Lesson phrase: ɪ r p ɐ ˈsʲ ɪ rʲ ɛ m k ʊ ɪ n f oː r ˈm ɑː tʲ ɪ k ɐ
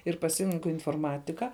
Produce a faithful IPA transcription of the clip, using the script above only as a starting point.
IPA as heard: ɪ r p ɐ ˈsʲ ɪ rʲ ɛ ŋ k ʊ ɪ n f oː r ˈm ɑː tʲ ɪ k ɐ